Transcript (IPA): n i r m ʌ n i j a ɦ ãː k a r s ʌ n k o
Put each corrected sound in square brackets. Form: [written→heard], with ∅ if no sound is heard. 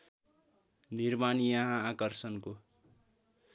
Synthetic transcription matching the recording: n i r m [ʌ→a] n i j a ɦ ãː k [a→ʌ] r s ʌ n k o

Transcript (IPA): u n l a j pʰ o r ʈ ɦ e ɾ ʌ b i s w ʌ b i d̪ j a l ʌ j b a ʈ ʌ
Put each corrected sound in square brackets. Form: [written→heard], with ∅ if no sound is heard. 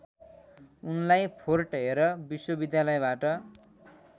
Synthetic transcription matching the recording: u n l a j pʰ o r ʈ ɦ e ɾ ʌ b i s w ʌ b i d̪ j a l ʌ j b a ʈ ʌ

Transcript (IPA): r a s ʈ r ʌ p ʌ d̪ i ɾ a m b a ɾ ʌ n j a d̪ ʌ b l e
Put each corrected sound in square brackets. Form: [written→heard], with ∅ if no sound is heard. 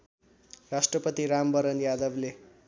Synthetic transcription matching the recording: r a s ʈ r ʌ p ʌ [d̪→t̪] i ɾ a m b [a→ʌ] ɾ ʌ n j a d̪ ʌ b l e

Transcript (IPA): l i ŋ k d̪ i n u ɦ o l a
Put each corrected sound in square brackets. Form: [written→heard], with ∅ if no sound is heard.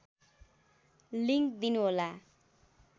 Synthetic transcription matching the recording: l i ŋ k d̪ i n u ɦ o l a

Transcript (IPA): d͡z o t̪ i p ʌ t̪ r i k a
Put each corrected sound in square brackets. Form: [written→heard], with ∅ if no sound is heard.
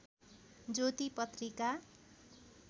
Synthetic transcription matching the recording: d͡z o t̪ i p ʌ t̪ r i k a

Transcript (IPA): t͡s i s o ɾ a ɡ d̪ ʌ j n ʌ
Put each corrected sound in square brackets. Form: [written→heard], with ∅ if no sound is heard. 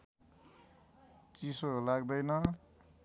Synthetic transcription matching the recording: t͡s i s o [ɾ→l] a ɡ d̪ ʌ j n ʌ

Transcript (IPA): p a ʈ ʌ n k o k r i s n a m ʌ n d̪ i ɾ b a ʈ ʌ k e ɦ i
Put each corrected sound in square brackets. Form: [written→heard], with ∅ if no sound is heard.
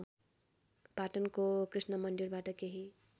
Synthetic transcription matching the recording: p a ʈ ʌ n k o k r i s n [a→ʌ] m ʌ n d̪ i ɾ b a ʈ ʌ k e ɦ i

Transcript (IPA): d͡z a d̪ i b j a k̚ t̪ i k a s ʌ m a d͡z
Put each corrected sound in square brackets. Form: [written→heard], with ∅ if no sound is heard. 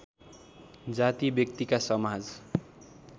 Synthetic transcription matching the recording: d͡z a [d̪→t̪] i b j [a→ʌ] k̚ t̪ i k a s ʌ m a d͡z

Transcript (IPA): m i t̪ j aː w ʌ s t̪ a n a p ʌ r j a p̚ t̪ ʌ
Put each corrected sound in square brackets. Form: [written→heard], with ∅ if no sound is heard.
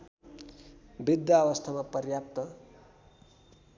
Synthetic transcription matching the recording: [m→b] i [t̪→d̪] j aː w ʌ s [t̪→t̪ʰ] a [n→m] a p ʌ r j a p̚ t̪ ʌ

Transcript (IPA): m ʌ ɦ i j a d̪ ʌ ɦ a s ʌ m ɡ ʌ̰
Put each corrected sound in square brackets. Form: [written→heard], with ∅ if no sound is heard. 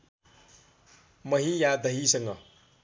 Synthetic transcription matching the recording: m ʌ ɦ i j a d̪ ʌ ɦ [a→i] s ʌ [m→ŋ] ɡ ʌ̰

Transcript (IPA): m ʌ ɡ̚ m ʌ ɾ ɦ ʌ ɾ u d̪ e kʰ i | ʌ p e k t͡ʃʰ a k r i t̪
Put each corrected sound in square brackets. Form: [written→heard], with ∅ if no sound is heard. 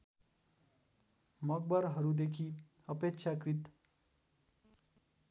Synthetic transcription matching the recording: m ʌ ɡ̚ [m→b] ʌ ɾ ɦ ʌ ɾ u d̪ e kʰ i | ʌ p e k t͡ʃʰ a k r i t̪

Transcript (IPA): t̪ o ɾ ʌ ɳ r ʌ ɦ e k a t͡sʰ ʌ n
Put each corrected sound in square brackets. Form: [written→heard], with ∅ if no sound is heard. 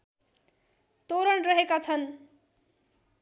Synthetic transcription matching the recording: t̪ o ɾ ʌ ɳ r ʌ ɦ e k a t͡sʰ ʌ n

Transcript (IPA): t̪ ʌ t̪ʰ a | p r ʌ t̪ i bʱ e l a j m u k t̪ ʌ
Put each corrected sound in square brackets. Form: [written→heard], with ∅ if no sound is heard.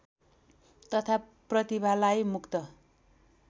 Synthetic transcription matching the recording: t̪ ʌ t̪ʰ a | p r ʌ t̪ i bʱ [e→a] l a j m u k t̪ ʌ

